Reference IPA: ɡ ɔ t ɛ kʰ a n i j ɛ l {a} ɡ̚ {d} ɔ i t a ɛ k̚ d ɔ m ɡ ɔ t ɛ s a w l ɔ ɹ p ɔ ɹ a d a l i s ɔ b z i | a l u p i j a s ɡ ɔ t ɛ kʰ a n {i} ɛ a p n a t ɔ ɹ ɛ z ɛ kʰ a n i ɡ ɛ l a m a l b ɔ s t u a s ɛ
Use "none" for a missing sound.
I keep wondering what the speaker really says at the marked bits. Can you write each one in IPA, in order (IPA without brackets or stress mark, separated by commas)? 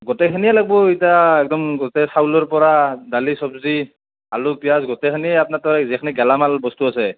a, b, i